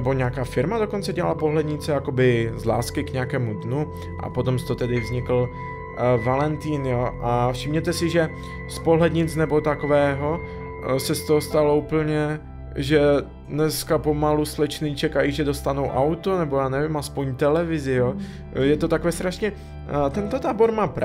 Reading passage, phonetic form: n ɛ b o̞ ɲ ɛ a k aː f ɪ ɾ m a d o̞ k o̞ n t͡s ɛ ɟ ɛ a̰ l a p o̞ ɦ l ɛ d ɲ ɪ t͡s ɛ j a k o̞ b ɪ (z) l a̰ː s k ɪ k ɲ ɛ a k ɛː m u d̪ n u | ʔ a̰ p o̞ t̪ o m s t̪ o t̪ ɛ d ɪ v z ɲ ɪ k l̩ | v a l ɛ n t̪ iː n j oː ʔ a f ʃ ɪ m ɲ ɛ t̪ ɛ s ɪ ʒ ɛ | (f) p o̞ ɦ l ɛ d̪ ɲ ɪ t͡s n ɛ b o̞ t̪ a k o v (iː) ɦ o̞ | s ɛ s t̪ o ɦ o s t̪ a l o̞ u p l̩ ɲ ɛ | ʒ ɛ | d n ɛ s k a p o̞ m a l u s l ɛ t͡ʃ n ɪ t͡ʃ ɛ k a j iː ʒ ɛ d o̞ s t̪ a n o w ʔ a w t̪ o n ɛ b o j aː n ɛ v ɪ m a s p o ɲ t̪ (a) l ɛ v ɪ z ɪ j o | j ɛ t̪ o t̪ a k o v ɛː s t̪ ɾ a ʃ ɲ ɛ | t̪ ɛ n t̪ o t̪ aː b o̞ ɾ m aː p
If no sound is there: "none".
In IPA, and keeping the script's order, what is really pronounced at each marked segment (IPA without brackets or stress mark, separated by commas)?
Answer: z, s, ɛː, ɛ